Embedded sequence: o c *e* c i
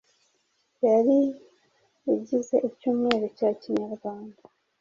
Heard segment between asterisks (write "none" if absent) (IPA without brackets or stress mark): a